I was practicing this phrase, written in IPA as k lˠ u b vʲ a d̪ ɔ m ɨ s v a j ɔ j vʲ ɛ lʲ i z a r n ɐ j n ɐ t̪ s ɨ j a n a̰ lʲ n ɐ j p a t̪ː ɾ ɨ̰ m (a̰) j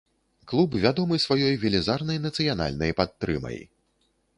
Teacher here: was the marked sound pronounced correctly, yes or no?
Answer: no